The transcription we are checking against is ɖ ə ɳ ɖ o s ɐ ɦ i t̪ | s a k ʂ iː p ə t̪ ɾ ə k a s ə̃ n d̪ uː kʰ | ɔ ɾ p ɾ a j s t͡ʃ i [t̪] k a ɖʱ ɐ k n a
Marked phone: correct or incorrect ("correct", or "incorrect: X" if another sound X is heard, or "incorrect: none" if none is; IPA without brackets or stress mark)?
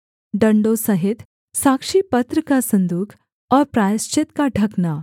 correct